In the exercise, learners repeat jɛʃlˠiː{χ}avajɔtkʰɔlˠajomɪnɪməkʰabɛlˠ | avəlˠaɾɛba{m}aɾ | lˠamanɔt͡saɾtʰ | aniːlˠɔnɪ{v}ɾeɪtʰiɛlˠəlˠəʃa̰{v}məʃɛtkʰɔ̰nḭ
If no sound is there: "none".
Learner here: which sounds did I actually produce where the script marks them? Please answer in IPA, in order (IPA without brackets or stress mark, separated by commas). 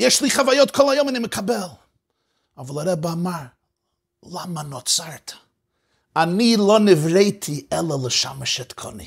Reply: χ, m, v, none